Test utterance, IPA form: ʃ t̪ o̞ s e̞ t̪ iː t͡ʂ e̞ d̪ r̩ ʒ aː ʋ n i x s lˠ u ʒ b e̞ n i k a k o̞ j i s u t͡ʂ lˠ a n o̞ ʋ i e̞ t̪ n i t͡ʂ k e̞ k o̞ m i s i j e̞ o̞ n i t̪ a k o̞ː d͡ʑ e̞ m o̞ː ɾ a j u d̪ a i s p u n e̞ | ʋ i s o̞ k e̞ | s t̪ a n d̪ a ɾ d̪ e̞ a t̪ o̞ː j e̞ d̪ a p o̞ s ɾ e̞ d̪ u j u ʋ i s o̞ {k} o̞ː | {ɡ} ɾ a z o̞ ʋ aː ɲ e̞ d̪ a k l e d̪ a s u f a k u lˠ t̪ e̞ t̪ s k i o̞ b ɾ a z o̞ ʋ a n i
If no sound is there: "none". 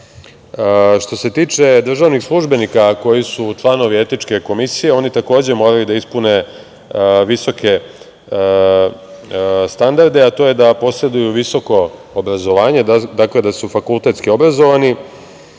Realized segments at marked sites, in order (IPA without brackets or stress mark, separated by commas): k, b